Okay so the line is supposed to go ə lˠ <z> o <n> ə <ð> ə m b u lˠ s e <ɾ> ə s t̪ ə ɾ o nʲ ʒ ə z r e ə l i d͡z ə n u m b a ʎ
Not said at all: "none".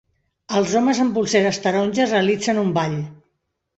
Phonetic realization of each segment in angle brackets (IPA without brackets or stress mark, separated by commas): z, m, z, ɾ